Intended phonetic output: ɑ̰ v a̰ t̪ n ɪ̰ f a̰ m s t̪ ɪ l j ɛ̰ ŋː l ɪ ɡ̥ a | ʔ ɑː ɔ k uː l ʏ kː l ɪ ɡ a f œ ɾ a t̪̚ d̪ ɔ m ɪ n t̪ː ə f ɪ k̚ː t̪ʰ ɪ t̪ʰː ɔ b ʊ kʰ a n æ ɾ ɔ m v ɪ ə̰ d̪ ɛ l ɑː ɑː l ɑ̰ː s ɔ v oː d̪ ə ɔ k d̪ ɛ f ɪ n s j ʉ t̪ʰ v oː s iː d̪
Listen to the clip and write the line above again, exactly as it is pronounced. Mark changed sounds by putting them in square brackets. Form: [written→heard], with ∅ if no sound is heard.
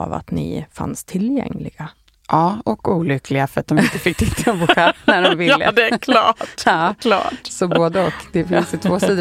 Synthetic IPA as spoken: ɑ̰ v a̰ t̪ n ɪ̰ f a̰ [m→n] s [t̪→t̪ʰ] ɪ l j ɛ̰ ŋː l ɪ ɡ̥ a | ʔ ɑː ɔ k uː l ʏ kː l ɪ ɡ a f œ ɾ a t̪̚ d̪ ɔ m ɪ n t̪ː ə f ɪ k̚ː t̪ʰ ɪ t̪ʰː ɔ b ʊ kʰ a n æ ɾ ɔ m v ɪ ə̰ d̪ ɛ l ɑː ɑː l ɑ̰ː s ɔ [v→b] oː d̪ ə ɔ k d̪ ɛ f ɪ n s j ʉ t̪ʰ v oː s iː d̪